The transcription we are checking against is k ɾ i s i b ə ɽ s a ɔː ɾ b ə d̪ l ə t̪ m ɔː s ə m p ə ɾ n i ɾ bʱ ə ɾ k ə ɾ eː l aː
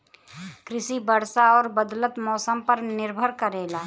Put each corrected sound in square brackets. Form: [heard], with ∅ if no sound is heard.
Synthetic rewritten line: k ɾ [ɪ] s i b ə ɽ s a ɔː ɾ b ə d̪ l ə t̪ m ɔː s ə m p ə ɾ n [ɪ] ɾ bʱ ə ɾ k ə ɾ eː l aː